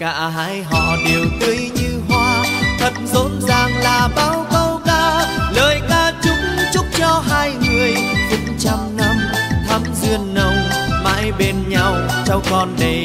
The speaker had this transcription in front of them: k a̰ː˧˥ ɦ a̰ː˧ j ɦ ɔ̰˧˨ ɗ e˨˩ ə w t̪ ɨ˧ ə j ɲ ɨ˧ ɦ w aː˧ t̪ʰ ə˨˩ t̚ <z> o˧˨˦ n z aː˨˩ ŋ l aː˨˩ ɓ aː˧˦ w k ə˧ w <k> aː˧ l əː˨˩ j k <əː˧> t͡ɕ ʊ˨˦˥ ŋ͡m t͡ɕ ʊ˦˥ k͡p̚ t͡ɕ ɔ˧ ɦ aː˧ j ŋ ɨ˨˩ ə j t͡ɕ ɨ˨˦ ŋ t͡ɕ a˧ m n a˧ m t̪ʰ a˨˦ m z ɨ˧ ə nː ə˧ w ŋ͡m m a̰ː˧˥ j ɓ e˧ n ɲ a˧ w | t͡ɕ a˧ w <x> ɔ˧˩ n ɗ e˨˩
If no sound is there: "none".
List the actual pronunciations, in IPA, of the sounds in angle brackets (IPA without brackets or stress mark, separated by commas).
z, k, aː˧, k